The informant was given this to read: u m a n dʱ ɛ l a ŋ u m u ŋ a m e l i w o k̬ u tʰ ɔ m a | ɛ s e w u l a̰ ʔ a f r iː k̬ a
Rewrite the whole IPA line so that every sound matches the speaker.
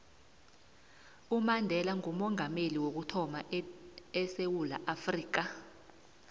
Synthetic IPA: u m a n dʱ ɛ l a ŋ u m ɔ ŋ a m e l i w o k̬ u tʰ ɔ m a | ɛ s e w u l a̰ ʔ a f r iː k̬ a